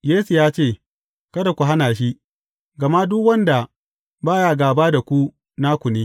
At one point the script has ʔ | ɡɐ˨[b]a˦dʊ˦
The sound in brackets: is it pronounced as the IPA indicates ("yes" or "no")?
no